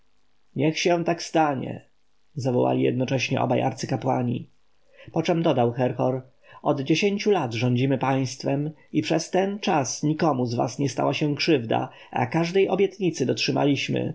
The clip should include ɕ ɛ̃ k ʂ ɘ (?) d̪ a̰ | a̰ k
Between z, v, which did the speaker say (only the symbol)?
v